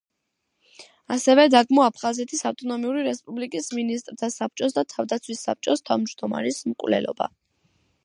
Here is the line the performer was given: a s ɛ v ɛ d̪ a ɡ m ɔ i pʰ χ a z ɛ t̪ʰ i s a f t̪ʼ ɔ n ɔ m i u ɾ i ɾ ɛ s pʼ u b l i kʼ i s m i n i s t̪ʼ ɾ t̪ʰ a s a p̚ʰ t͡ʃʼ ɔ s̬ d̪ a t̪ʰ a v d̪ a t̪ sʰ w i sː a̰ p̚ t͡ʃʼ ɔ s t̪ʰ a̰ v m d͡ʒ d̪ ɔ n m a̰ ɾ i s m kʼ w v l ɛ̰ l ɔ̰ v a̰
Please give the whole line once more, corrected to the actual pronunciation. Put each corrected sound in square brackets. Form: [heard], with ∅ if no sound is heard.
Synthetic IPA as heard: a s ɛ v ɛ d̪ a ɡ m ɔ [a] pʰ χ a z ɛ t̪ʰ i s a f t̪ʼ ɔ n ɔ m i u ɾ i ɾ ɛ s pʼ u b l i kʼ i s m i n i s t̪ʼ ɾ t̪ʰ a s a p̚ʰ t͡ʃʼ ɔ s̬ d̪ a t̪ʰ a v d̪ a t̪ sʰ w i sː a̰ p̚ t͡ʃʼ ɔ s t̪ʰ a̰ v m d͡ʒ d̪ ɔ [∅] m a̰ ɾ i s m kʼ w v l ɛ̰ l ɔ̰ [b] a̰